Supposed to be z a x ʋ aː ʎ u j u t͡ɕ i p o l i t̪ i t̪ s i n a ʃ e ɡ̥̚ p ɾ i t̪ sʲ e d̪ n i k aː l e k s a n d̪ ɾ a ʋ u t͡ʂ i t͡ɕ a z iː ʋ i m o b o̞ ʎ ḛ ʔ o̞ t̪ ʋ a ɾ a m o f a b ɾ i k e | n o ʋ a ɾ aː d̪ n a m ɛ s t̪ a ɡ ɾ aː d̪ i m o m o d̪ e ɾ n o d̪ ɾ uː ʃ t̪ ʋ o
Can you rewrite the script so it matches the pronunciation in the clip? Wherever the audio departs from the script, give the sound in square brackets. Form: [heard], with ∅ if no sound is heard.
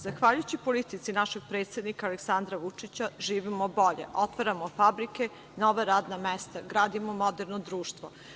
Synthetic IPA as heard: z a x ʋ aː ʎ u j u t͡ɕ i p o l i t̪ i t̪ s i n a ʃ e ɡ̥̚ p ɾ [e] t̪ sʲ e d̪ n i k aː l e k s a n d̪ ɾ a ʋ u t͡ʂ i t͡ɕ a [ʒ] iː ʋ i m o b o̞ ʎ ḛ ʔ o̞ t̪ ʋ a ɾ a m o f a b ɾ i k e | n o ʋ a ɾ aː d̪ n a m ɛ s t̪ a ɡ ɾ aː d̪ i m o m o d̪ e ɾ n o d̪ ɾ uː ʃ t̪ ʋ o